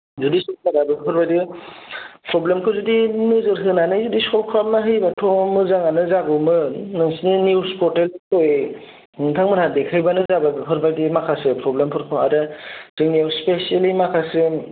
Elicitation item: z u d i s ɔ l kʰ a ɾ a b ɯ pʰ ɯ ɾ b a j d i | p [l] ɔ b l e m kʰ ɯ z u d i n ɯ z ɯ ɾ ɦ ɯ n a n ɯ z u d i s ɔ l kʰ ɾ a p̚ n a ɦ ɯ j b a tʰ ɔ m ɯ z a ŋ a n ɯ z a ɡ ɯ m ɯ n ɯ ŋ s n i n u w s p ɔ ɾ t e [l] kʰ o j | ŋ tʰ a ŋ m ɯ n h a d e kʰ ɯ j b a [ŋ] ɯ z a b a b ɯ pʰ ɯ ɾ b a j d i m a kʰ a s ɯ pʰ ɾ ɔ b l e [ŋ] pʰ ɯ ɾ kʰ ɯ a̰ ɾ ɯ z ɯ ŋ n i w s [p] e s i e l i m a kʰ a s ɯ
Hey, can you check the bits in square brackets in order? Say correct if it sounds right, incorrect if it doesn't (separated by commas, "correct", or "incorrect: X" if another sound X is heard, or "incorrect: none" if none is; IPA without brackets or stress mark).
incorrect: ɾ, correct, incorrect: n, incorrect: m, correct